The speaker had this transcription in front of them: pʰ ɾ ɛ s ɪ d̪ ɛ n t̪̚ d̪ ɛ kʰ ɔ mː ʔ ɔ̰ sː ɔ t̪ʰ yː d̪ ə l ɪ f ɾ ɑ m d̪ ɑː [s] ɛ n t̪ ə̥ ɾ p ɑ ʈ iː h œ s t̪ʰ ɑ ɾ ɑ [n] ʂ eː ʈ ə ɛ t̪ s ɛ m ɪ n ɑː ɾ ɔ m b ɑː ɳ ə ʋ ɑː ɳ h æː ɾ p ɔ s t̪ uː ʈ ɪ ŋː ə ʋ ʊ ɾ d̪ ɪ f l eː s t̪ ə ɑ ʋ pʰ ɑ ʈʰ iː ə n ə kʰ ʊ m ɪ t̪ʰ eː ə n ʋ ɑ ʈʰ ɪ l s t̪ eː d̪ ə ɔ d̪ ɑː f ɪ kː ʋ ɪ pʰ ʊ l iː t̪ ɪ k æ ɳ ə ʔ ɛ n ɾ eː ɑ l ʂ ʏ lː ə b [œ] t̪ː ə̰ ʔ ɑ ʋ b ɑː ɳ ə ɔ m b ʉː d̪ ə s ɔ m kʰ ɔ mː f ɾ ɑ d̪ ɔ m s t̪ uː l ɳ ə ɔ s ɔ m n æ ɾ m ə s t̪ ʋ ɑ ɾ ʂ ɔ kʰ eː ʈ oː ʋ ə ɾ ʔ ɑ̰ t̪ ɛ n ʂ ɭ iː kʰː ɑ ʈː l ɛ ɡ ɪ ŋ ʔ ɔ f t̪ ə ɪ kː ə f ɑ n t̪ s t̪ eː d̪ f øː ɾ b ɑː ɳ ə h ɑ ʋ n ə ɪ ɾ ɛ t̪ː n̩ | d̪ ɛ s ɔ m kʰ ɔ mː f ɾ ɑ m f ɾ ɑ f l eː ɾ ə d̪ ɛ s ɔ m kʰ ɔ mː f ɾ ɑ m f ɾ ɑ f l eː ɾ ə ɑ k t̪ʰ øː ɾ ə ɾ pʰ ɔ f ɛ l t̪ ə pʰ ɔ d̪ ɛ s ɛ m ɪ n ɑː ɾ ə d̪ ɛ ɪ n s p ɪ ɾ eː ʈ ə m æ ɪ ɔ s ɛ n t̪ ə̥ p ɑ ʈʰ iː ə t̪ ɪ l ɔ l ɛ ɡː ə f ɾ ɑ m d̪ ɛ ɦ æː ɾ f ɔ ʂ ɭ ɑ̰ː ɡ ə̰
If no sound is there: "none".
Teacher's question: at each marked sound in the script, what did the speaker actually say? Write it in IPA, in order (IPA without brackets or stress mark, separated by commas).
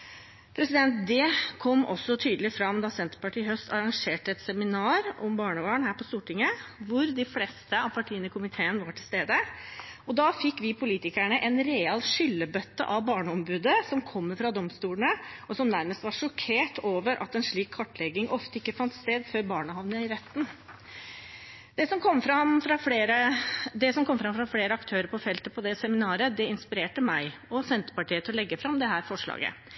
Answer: s, ŋ, œ